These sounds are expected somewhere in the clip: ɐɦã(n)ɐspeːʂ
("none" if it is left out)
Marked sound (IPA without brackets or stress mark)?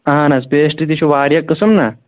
n